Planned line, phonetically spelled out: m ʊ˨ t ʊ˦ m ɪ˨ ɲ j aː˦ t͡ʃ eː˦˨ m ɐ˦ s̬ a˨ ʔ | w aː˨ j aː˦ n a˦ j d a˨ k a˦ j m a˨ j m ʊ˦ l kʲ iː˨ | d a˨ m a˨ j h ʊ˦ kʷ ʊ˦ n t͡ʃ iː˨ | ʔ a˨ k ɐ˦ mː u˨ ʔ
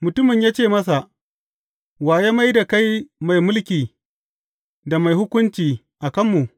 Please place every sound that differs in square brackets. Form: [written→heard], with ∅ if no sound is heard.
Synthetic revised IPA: m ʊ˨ t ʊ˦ m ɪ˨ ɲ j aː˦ t͡ʃ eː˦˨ m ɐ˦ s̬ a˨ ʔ | w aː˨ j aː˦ [n→m] a˦ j d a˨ k a˦ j m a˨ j m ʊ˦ l kʲ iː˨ | d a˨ m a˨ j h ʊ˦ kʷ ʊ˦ n t͡ʃ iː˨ | ʔ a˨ k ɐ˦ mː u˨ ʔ